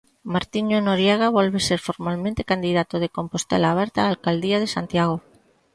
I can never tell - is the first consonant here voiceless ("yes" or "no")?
no